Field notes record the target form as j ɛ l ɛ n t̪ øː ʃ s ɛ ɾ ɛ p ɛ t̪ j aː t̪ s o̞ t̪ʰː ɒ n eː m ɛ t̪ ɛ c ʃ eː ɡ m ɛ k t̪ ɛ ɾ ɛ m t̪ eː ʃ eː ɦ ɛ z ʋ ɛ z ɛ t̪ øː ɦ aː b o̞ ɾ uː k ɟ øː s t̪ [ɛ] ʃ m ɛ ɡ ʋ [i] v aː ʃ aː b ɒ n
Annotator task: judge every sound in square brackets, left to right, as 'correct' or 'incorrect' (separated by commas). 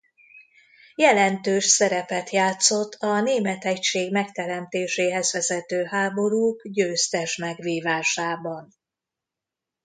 correct, incorrect